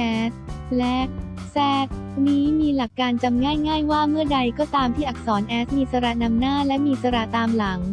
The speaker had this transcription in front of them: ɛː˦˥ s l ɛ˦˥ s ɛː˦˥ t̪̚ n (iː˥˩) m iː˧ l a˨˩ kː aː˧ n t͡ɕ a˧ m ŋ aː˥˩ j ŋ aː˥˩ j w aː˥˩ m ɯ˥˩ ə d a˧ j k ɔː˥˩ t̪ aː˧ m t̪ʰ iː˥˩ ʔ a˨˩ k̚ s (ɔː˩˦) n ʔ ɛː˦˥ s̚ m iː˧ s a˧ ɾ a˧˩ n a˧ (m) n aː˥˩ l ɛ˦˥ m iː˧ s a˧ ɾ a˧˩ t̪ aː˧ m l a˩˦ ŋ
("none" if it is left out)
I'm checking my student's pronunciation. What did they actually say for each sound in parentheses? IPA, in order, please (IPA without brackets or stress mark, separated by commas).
iː˦˥, ɔː˩˦, m